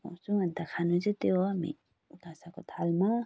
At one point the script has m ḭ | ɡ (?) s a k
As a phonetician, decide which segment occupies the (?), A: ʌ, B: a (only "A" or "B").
B